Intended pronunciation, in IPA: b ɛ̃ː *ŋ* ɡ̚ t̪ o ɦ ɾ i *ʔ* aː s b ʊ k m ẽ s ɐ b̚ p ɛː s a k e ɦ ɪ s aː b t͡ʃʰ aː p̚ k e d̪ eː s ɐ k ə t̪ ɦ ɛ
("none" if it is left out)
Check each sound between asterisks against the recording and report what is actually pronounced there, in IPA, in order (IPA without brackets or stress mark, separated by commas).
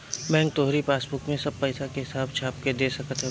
ŋ, p